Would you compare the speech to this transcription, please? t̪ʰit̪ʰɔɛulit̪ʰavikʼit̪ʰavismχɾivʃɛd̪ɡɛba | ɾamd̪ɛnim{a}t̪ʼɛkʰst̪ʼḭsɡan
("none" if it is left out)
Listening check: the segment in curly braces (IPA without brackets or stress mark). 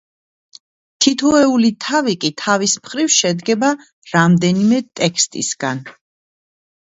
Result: ɛ